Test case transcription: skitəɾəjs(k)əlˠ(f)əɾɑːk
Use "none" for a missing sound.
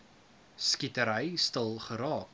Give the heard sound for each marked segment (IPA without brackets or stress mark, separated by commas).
t, χ